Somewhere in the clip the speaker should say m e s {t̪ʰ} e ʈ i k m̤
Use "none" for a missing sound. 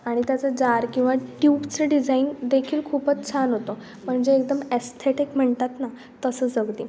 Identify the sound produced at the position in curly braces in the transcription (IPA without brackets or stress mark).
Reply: t̪ʰ